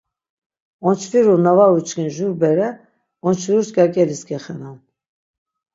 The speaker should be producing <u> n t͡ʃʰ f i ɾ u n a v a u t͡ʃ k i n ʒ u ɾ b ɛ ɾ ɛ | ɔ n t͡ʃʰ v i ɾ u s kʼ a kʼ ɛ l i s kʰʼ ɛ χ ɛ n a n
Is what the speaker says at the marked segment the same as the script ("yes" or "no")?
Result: no